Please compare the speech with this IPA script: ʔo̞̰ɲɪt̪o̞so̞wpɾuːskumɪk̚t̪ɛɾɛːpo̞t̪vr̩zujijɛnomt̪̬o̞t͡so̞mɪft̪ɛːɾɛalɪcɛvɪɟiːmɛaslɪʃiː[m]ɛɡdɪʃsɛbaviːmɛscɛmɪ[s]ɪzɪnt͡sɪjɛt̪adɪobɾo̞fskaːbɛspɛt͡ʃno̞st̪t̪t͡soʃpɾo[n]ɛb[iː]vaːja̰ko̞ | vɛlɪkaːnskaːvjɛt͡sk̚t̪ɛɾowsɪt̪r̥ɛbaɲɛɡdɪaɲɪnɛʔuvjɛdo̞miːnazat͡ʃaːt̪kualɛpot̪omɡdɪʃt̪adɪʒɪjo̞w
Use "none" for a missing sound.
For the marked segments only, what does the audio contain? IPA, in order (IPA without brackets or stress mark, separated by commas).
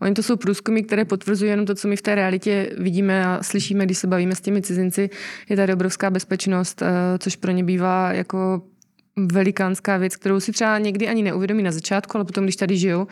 m, t͡s, ɲ, iː